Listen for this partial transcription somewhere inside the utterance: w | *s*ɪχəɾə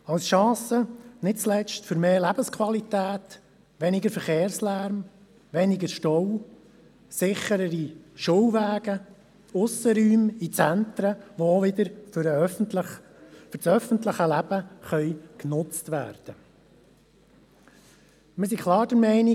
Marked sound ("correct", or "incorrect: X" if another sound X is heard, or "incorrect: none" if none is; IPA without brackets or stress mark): correct